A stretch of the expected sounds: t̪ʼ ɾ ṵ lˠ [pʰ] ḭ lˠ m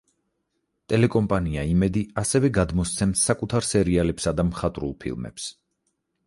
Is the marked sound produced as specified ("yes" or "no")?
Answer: yes